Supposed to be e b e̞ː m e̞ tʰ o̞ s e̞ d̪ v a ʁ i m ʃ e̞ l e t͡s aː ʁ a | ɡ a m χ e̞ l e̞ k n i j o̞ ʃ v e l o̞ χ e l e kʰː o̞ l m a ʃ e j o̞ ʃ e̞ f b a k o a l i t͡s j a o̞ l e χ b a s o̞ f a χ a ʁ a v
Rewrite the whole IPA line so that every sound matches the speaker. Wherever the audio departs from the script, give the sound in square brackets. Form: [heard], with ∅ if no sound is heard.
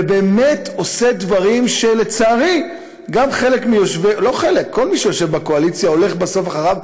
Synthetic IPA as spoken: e b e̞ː m e̞ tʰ o̞ s e̞ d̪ v a ʁ i m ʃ e̞ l e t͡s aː ʁ [i] | ɡ a m χ e̞ l e̞ k [m] i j o̞ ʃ v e l o̞ χ e l e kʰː o̞ l m [i] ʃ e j o̞ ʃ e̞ [v] b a k o a l i t͡s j a o̞ l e χ b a s o̞ f a χ a ʁ a v